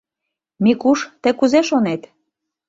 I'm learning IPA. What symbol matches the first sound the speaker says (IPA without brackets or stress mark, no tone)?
m